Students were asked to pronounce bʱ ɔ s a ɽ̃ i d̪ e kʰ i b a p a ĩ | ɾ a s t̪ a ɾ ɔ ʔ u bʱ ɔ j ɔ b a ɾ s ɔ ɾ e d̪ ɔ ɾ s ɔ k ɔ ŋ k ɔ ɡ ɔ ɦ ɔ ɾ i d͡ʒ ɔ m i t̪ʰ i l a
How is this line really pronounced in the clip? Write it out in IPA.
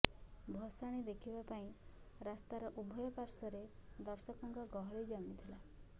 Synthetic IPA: bʱ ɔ s a ɽ̃ i d̪ e kʰ i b a p a ĩ | ɾ a s t̪ a ɾ ɔ ʔ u bʱ ɔ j ɔ p a ɾ s ɔ ɾ e d̪ ɔ ɾ s ɔ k ɔ ŋ k ɔ ɡ ɔ ɦ ɔ ɭ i d͡ʒ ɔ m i t̪ʰ i l a